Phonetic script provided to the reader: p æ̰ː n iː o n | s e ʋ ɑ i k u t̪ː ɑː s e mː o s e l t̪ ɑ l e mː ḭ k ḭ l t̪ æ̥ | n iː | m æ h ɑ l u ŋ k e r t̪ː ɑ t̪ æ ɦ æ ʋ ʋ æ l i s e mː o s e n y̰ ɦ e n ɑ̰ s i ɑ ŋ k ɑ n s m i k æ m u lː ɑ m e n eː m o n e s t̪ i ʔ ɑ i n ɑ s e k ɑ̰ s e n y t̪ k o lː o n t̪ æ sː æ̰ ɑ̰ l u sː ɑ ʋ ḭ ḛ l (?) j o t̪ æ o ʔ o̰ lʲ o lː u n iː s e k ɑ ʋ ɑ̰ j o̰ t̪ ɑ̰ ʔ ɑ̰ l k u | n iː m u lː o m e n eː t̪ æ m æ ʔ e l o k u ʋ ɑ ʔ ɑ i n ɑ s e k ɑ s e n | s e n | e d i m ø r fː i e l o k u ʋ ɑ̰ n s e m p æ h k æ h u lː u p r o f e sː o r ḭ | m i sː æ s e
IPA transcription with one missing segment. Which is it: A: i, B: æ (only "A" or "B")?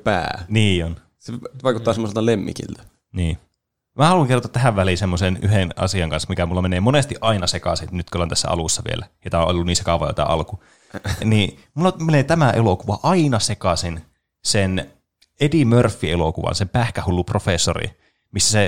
B